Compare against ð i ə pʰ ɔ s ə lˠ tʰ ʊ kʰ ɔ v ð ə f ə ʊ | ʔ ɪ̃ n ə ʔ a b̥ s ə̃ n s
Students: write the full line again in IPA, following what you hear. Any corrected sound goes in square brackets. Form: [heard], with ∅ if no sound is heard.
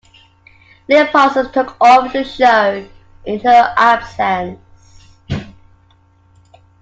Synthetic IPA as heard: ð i ə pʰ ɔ s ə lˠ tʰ ʊ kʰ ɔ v ð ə [ʃ] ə ʊ | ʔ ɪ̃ n ə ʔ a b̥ s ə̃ n s